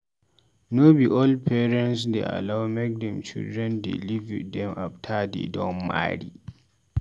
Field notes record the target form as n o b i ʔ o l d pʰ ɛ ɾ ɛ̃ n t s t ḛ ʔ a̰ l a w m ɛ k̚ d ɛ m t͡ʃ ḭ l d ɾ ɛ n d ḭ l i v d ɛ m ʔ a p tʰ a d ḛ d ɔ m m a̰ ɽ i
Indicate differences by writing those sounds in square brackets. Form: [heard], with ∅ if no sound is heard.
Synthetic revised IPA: n o b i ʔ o l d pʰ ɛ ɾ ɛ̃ n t s [d] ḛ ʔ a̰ l a w m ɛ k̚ d ɛ m t͡ʃ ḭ l d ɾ ɛ n d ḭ l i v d ɛ m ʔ a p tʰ a d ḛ d ɔ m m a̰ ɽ i

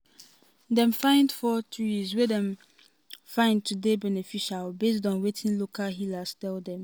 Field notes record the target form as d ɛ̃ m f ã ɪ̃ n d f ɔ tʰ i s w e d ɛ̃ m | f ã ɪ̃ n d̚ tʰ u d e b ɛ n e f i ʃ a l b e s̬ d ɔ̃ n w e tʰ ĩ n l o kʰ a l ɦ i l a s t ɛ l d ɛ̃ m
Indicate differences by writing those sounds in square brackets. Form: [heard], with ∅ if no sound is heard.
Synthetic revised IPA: d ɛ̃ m f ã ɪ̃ n d f ɔ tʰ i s w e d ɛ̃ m | f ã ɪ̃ n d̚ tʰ u d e b ɛ n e f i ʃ a l b e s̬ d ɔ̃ n w e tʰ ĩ n l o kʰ a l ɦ i l a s t ɛ l d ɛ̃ m

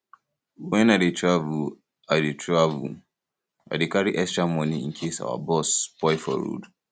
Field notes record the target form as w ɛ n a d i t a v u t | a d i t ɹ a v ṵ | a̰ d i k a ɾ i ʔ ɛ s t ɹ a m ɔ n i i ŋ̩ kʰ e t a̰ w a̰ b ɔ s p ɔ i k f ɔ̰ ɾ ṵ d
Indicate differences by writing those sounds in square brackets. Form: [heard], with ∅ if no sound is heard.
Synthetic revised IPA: w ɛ n a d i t a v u [∅] | a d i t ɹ a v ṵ | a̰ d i k a ɾ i ʔ ɛ s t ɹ a m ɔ n i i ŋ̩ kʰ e [s] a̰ w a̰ b ɔ s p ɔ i [∅] f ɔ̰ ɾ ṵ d

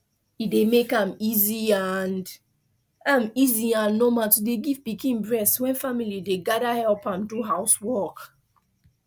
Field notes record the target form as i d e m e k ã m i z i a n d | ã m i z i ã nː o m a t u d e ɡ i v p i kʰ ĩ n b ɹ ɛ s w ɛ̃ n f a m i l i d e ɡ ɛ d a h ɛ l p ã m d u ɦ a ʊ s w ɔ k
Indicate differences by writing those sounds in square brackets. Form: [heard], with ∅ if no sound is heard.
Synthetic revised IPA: i d e m e k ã m i z i a n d | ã m i z i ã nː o m a t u d e ɡ i v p i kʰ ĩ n b ɹ ɛ s w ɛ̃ n f a m i l i d e ɡ [a] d a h ɛ l p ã m d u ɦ a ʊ s w ɔ k

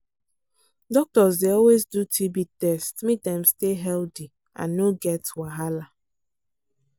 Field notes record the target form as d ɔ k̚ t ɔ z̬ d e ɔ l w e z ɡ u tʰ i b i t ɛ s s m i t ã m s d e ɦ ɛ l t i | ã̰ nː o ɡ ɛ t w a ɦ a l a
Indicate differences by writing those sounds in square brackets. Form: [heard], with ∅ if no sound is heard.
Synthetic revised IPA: d ɔ k̚ t ɔ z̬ d e ɔ l w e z [d] u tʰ i b i t ɛ s [t] m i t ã m s [t] e ɦ ɛ l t i | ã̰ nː o ɡ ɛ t w a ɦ a l a

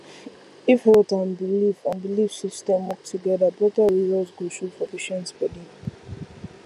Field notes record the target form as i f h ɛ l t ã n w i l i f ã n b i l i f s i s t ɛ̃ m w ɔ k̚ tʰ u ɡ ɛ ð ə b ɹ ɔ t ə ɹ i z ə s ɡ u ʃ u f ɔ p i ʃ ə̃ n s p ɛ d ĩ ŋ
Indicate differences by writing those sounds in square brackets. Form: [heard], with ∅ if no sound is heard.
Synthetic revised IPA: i f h ɛ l t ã n [b] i l i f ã n b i l i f s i s t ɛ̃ m w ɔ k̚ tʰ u ɡ ɛ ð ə b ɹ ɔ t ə ɹ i z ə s ɡ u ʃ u f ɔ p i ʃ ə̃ n s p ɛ d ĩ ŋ

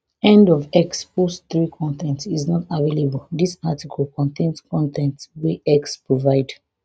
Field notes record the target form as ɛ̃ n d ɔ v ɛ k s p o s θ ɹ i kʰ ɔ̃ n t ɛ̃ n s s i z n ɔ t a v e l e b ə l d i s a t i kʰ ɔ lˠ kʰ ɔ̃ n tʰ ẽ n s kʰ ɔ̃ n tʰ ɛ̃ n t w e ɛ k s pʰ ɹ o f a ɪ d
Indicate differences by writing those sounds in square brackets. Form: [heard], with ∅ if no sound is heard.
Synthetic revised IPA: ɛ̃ n d ɔ v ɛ k s p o s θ ɹ i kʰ ɔ̃ n t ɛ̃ n [t] s i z n ɔ t a v e l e b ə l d i s a t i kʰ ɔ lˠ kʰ ɔ̃ n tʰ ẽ n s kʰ ɔ̃ n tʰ ɛ̃ n t w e ɛ k s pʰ ɹ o [v] a ɪ d

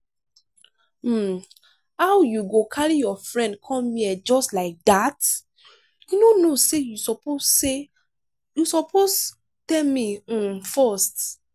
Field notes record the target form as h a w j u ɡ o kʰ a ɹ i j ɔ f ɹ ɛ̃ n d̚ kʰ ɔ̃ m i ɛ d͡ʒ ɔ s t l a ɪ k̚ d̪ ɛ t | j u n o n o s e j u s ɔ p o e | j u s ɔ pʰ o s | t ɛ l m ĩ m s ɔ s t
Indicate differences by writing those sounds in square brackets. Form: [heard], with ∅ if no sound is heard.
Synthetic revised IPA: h a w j u ɡ o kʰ a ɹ i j ɔ f ɹ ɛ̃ n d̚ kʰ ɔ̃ m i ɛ d͡ʒ ɔ s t l a ɪ k̚ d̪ [a] t | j u n o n o s e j u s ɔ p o e | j u s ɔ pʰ o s | t ɛ l m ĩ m [f] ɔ s t

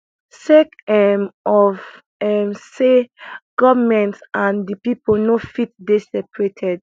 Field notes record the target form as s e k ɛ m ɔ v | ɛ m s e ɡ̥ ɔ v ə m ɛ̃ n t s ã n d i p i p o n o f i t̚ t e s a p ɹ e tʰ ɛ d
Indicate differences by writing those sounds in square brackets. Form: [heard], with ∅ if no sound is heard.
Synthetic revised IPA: s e k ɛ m ɔ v | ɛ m s e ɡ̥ ɔ v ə m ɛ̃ n t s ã n d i p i p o n o f i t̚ [d] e s [ɛ] p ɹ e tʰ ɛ d

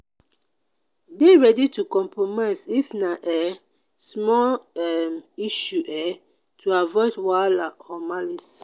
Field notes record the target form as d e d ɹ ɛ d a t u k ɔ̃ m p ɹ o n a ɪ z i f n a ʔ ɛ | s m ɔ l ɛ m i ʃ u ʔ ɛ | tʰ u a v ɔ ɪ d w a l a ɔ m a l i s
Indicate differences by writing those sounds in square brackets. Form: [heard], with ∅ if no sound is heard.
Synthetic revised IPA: d e [∅] ɹ ɛ d [i] t u k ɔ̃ m p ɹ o [m] a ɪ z i f n a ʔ ɛ | s m ɔ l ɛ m i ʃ u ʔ ɛ | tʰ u a v ɔ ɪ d w a l a ɔ m a l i s

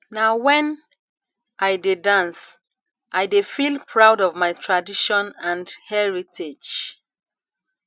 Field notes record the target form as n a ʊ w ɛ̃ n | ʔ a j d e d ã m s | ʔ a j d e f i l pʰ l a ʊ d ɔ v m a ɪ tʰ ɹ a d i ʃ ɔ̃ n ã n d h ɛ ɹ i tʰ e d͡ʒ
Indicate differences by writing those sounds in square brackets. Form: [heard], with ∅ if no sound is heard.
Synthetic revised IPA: n a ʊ w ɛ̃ n | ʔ a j d e d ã [n] s | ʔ a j d e f i l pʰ [ɹ] a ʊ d ɔ v m a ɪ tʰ ɹ a d i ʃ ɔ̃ n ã n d h ɛ ɹ i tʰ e d͡ʒ

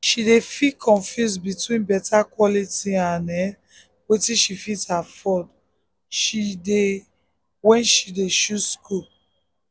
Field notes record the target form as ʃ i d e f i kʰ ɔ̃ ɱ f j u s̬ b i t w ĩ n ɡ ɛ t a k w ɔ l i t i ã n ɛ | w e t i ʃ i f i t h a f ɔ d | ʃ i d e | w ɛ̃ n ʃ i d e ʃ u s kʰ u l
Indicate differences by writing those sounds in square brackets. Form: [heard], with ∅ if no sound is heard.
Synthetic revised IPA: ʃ i d e f i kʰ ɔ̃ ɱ f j u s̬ b i t w ĩ n [b] ɛ t a k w ɔ l i t i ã n ɛ | w e t i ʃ i f i t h a f ɔ d | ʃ i d e | w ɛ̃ n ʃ i d e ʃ u s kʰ u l

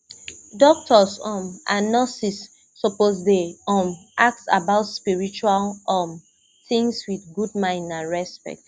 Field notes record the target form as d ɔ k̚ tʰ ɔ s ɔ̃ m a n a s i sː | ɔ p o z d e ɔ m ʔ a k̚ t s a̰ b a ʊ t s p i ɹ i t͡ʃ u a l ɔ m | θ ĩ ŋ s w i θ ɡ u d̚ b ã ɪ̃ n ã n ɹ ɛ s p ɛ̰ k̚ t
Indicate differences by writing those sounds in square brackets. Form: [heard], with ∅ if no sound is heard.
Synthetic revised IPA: d ɔ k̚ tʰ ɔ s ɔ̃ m a n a s i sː | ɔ p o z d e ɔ m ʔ a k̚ t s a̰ b a ʊ t s p i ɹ i t͡ʃ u a l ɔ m | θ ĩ ŋ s w i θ ɡ u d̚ [m] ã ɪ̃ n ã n ɹ ɛ s p ɛ̰ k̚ t

